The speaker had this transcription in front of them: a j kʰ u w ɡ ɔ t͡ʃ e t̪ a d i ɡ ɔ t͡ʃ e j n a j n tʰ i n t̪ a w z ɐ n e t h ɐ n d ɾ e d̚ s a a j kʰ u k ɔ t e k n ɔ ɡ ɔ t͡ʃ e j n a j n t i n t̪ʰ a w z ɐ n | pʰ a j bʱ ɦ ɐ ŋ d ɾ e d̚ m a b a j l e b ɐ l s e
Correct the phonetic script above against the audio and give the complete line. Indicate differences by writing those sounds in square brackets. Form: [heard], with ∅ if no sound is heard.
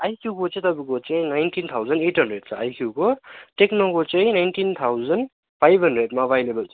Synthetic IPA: a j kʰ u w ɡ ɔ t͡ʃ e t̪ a [b] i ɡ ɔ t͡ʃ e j n a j n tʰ i n [t̪ʰ] a w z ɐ n e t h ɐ n d ɾ e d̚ s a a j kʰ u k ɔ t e k n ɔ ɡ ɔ t͡ʃ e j n a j n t i n t̪ʰ a w z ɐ n | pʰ a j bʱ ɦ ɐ [n] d ɾ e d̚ m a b a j l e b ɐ l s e